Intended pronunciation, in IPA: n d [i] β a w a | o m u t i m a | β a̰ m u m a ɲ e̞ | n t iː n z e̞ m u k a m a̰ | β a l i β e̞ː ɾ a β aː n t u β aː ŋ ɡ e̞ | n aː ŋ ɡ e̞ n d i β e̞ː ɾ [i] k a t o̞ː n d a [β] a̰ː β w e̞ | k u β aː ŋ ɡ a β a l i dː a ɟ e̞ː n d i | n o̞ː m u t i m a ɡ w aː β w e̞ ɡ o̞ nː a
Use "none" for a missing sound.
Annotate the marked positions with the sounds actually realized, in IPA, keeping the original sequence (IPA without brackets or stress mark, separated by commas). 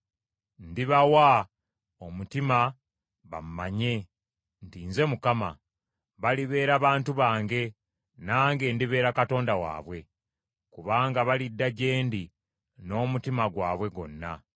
i, a, w